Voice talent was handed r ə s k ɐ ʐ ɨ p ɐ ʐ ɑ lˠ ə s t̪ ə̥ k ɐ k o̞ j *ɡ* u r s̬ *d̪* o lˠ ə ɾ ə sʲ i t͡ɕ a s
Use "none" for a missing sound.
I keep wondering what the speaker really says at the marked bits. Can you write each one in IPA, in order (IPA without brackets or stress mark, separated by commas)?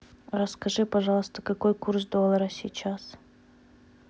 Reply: k, d̪